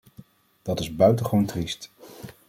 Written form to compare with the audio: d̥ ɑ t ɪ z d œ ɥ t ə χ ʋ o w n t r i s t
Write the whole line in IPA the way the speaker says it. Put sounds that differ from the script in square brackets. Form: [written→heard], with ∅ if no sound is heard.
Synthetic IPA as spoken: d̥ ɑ t ɪ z [d→b] œ ɥ t ə χ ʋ o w n t r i s t